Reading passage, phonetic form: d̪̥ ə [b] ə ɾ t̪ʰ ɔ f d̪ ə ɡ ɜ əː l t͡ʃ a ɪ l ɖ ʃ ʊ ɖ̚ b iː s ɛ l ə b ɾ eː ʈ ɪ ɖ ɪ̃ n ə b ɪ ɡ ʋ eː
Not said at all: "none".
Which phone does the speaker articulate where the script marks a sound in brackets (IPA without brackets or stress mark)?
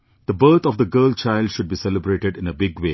b